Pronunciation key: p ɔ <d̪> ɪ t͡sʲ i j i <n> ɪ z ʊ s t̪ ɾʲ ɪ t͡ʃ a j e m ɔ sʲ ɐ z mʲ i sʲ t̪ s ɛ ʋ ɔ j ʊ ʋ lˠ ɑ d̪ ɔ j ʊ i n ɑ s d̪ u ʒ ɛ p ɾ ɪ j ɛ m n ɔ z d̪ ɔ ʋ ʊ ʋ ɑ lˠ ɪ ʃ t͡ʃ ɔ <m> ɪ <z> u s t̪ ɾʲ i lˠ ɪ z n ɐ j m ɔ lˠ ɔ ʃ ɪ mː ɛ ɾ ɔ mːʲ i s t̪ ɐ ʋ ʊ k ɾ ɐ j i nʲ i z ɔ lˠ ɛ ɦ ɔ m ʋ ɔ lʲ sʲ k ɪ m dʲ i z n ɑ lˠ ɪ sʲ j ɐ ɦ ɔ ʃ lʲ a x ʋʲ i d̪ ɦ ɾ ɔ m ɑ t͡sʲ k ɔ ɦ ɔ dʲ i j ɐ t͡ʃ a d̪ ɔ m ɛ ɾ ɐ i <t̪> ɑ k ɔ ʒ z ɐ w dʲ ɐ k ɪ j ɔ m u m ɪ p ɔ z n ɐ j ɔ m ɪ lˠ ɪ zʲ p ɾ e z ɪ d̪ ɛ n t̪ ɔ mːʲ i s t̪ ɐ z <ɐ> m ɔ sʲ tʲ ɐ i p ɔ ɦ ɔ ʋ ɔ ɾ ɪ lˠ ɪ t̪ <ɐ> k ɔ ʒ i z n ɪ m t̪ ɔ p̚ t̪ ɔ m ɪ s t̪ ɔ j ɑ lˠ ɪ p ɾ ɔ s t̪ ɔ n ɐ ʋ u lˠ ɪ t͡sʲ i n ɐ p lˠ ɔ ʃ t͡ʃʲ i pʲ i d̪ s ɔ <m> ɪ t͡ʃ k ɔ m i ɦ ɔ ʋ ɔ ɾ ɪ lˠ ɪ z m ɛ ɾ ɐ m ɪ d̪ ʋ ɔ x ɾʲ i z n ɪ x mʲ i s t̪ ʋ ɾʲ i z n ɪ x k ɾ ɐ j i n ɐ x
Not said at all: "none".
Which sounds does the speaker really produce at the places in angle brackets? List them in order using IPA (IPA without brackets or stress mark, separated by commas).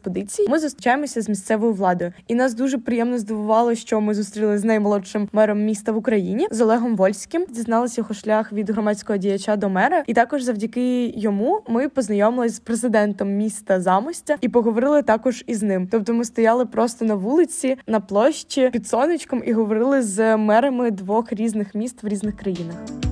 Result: d̪, m, m, z, t̪, ɑ, ɑ, n